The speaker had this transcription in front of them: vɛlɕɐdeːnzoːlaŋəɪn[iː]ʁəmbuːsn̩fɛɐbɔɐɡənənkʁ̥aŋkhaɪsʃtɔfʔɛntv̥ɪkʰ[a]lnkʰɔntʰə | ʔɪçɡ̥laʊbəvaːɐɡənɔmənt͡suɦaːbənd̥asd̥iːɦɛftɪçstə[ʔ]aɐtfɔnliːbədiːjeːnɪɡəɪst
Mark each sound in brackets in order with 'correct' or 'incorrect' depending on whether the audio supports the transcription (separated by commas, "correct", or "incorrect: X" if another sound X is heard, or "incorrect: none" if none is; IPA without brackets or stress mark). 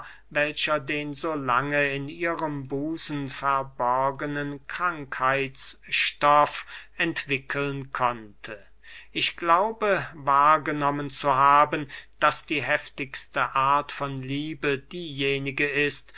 correct, incorrect: ə, correct